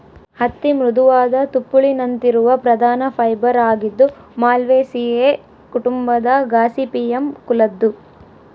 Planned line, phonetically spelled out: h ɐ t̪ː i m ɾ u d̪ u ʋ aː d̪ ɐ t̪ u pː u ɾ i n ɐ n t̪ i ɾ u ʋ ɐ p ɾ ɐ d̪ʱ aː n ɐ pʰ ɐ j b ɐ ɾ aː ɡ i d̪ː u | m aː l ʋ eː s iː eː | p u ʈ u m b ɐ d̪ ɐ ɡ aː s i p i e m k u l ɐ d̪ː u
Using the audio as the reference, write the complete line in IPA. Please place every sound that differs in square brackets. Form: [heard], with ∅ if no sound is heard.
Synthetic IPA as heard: h ɐ t̪ː i m ɾ u d̪ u ʋ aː d̪ ɐ t̪ u pː u [ɭ] i n ɐ n t̪ i ɾ u ʋ ɐ p ɾ ɐ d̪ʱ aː n ɐ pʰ ɐ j b ɐ ɾ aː ɡ i d̪ː u | m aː l ʋ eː s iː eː | [k] u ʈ u m b ɐ d̪ ɐ ɡ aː s i p i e m k u l ɐ d̪ː u